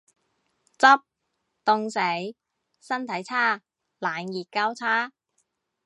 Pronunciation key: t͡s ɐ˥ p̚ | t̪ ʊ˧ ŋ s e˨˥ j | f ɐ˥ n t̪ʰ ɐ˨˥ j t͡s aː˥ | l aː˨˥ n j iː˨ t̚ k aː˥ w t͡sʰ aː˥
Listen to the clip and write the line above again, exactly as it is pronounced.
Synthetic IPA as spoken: t͡s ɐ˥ p̚ | t̪ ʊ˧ ŋ s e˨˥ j | s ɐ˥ n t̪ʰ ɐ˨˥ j t͡sʰ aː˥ | l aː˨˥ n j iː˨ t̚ k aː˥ w t͡sʰ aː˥